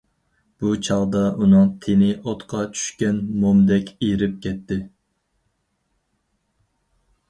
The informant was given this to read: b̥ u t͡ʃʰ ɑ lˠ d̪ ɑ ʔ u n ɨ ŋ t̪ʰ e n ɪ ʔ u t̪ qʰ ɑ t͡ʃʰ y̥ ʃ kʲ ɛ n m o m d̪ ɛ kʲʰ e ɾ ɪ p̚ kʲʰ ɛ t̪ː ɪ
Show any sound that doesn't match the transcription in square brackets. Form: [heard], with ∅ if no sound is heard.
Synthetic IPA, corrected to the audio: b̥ u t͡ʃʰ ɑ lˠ d̪ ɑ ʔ u n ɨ ŋ t̪ʰ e n ɪ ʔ [o] t̪ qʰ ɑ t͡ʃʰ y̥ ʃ kʲ ɛ n m o m d̪ ɛ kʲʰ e ɾ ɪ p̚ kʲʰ ɛ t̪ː ɪ